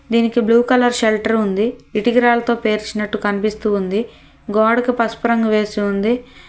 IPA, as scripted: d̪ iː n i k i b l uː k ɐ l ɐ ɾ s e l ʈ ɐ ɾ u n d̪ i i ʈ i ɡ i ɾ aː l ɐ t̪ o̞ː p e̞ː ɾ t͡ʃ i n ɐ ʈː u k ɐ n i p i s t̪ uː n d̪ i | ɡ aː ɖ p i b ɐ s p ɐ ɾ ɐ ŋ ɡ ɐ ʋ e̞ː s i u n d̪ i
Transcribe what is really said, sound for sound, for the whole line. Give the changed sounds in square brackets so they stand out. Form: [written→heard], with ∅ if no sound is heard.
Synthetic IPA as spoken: d̪ iː n i k i b l uː k ɐ l ɐ ɾ [s→ʃ] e l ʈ ɐ ɾ u n d̪ i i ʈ i ɡ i ɾ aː l ɐ t̪ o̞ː p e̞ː ɾ t͡ʃ i n ɐ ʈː u k ɐ n i p i s t̪ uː n d̪ i | ɡ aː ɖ [p→k] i [b→p] ɐ s p ɐ ɾ ɐ ŋ ɡ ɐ ʋ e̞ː s i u n d̪ i